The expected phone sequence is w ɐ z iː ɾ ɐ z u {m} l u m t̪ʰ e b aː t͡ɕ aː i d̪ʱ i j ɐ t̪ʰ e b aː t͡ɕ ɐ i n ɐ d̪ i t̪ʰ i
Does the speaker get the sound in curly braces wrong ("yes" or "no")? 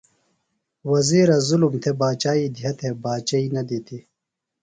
yes